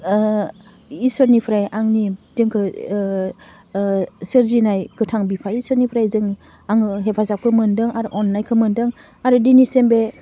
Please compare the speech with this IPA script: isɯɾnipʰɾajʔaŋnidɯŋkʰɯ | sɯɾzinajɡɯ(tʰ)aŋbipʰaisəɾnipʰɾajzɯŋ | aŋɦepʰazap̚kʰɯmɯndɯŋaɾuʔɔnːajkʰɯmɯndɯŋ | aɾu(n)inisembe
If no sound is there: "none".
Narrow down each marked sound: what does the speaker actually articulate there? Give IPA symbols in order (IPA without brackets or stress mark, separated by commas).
tʰ, d